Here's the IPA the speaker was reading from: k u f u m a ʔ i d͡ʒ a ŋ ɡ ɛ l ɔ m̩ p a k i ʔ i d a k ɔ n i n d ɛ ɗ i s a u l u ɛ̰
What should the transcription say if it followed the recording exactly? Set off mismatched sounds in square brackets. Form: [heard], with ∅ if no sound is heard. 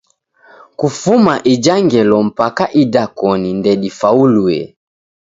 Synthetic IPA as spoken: k u f u m a ʔ i d͡ʒ a ŋ ɡ ɛ l ɔ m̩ p a k [a] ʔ i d a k ɔ n i n d ɛ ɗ i [f] a u l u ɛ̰